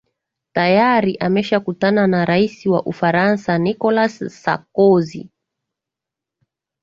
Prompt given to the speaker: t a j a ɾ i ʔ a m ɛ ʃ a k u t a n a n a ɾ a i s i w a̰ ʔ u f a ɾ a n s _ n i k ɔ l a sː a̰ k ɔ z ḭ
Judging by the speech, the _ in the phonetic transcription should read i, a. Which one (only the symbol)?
a